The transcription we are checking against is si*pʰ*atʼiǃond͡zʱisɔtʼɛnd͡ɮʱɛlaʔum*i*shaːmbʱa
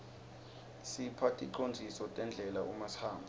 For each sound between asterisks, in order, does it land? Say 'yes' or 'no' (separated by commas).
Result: yes, no